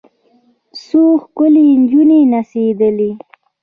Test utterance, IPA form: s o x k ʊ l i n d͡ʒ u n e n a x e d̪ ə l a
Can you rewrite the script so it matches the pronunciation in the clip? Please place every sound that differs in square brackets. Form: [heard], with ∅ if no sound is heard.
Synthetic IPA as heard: s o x k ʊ l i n d͡ʒ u n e n a [s] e d̪ ə l [i]